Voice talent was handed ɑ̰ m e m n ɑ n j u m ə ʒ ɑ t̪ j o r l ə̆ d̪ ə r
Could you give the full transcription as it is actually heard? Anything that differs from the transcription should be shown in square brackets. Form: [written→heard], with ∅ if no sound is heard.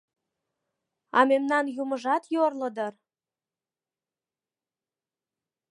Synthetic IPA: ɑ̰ m e m n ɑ n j u m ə ʒ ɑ t̪ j o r l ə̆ d̪ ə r